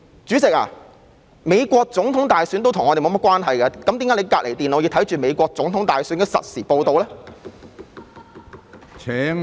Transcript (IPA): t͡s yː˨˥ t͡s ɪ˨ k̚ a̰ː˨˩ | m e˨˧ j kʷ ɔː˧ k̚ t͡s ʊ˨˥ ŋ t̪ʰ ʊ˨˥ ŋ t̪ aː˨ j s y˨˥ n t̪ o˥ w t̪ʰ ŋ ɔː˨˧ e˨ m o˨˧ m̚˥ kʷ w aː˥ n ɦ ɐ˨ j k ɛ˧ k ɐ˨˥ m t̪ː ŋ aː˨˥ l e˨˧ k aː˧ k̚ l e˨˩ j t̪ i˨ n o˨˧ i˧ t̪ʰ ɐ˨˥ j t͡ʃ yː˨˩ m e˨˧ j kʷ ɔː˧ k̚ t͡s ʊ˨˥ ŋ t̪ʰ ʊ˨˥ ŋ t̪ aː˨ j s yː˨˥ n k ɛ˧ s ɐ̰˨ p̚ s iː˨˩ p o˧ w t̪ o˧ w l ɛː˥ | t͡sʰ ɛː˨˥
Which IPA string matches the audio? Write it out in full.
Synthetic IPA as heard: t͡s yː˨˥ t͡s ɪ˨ k̚ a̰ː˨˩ | m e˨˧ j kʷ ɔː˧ k̚ t͡s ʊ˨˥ ŋ t̪ʰ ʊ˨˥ ŋ t̪ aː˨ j s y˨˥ n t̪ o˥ w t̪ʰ ŋ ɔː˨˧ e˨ m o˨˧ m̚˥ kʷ w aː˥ n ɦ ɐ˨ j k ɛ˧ k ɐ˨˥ m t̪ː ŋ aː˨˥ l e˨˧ k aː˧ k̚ l e˨˩ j t̪ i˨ n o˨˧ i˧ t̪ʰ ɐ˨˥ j t͡ʃ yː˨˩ m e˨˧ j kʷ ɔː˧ k̚ t͡s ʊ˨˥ ŋ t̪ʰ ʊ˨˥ ŋ t̪ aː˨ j s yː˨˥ n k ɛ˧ s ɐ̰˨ t̚ s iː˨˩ p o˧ w t̪ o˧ w l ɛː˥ | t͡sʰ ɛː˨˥